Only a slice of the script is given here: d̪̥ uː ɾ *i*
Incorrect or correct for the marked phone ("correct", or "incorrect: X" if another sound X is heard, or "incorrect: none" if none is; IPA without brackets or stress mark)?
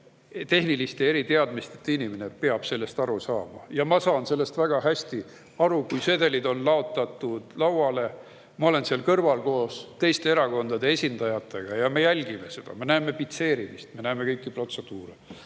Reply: incorrect: e